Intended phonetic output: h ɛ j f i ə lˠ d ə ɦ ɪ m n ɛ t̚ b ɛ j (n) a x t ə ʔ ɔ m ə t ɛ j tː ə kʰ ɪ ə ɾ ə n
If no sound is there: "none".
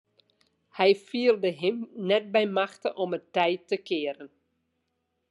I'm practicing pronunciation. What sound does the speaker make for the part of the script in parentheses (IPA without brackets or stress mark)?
m